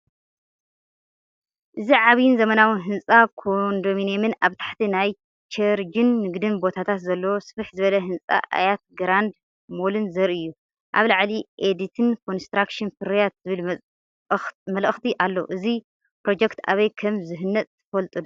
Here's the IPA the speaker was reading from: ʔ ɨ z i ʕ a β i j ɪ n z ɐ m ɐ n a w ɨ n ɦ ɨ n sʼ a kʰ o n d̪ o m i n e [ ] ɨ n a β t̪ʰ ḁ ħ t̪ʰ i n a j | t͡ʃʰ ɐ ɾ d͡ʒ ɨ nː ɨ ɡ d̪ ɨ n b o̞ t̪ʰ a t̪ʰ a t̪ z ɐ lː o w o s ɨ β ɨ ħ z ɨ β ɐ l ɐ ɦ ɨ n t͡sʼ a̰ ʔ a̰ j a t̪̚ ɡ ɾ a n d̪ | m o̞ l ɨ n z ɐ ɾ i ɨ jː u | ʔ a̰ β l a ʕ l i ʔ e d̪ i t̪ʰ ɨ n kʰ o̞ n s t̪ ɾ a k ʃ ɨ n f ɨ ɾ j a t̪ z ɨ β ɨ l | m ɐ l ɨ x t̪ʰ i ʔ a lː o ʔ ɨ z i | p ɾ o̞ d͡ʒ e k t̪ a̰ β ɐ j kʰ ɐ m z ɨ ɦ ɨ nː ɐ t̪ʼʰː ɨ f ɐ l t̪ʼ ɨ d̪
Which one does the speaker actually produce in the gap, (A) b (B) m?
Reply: B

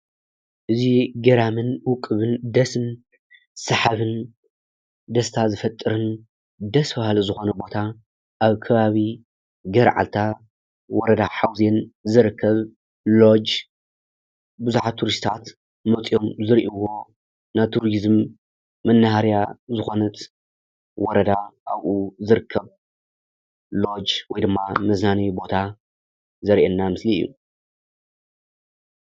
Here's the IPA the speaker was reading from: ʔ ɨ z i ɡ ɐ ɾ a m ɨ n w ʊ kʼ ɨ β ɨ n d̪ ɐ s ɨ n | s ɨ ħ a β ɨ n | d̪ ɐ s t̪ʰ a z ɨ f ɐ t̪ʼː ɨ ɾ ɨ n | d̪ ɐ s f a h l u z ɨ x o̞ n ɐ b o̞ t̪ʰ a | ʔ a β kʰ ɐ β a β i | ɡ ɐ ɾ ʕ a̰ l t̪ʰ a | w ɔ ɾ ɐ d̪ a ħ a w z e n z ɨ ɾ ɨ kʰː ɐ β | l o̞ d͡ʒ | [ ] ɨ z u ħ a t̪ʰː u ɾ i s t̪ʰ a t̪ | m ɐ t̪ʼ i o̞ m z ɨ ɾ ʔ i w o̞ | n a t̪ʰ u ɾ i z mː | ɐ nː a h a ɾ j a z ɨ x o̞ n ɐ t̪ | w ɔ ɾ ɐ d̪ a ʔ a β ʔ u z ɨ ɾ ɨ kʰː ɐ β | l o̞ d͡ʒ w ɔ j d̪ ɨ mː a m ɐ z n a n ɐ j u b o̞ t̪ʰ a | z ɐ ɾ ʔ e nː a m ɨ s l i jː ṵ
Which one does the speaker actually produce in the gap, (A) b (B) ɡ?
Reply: A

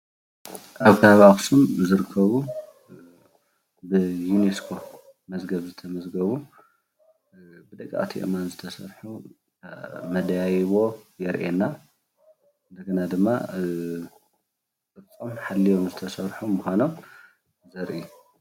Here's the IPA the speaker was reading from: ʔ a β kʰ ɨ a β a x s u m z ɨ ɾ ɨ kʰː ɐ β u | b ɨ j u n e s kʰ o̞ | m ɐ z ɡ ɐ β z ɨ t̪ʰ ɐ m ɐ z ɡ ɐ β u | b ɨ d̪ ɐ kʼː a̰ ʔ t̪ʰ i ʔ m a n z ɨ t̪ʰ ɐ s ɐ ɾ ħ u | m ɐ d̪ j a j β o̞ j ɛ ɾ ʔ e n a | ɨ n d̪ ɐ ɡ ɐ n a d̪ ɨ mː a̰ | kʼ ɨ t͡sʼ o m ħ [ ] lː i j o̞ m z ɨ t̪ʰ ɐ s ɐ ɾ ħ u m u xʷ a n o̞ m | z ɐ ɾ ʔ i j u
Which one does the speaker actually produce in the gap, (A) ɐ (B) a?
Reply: B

